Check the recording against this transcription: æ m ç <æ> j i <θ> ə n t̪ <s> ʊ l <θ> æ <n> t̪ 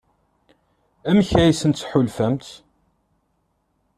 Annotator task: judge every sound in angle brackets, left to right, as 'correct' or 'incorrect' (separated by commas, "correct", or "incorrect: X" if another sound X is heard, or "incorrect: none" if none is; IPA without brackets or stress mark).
correct, incorrect: s, incorrect: ħ, incorrect: f, incorrect: m